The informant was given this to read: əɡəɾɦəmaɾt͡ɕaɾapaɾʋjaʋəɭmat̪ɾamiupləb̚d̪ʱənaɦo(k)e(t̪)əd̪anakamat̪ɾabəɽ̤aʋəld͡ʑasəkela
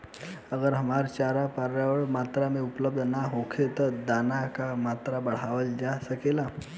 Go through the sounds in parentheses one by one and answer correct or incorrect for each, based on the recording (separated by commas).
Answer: incorrect, correct